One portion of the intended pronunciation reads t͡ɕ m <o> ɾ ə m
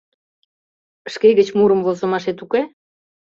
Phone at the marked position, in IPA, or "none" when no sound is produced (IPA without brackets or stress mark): u